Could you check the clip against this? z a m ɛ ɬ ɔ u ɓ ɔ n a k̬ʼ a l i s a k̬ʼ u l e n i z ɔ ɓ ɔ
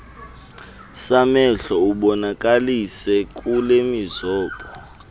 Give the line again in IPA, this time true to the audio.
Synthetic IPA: s a m ɛ ɬ ɔ u ɓ ɔ n a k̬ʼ a l i s ɛ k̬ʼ u l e m i z ɔː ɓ ɔ